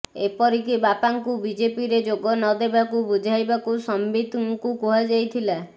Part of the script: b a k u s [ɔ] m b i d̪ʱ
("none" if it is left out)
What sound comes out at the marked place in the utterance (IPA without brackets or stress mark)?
ɔ